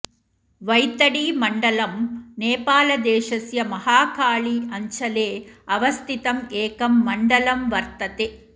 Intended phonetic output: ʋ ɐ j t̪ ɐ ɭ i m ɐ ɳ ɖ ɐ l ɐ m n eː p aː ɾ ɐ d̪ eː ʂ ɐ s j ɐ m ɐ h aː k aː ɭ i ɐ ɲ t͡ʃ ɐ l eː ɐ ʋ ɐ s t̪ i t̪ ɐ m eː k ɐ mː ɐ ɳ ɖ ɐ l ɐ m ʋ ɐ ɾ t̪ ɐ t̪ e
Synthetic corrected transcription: ʋ ɐ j t̪ ɐ ɽ i m ɐ ɳ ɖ ɐ l ɐ m n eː p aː l ɐ d̪ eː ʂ ɐ s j ɐ m ɐ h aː k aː ɭ i ɐ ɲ t͡ʃ ɐ l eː ɐ ʋ ɐ s t̪ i t̪ ɐ m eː k ɐ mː ɐ ɳ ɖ ɐ l ɐ m ʋ ɐ ɾ t̪ ɐ t̪ e